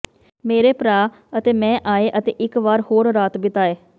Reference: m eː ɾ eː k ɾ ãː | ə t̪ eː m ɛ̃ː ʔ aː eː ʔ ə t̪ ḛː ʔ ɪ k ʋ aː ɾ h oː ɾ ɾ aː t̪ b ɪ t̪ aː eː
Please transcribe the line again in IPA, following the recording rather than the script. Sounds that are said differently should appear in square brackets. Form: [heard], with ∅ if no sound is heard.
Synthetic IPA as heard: m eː ɾ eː [p] ɾ [aː] | ə t̪ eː m ɛ̃ː ʔ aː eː ʔ ə t̪ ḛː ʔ ɪ k ʋ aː ɾ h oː ɾ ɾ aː t̪ b ɪ t̪ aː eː